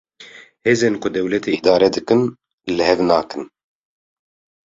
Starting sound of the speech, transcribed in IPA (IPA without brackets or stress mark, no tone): h